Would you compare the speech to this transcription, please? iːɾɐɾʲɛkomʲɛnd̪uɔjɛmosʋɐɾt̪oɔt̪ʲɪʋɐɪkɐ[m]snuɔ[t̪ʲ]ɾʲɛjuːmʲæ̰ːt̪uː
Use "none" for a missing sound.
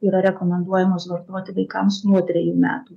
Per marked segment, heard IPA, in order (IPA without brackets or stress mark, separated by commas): m, t̪ʲ